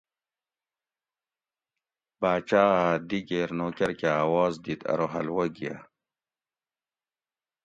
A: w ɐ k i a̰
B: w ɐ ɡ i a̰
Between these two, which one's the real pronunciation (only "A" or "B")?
B